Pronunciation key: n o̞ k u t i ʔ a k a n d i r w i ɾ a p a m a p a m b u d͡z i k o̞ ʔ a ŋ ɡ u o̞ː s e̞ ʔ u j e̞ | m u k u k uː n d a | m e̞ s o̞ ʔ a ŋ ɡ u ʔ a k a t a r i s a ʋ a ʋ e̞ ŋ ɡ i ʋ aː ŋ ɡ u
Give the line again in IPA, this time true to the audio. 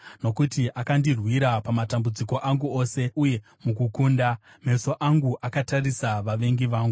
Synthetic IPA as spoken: n o̞ k u t i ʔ a k a n d i r w i ɾ a p a m a t a m b u d͡z i k o̞ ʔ a ŋ ɡ u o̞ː s e̞ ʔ u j e̞ | m u k u k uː n d a | m e̞ s o̞ ʔ a ŋ ɡ u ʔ a k a t a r i s a ʋ a ʋ e̞ ŋ ɡ i ʋ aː ŋ ɡ u